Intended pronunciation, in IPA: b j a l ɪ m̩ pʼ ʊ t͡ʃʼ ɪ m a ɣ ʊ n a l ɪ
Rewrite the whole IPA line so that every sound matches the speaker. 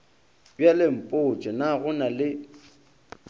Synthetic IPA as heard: b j a l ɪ m̩ pʼ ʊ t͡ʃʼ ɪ n a ɣ ʊ n a l ɪ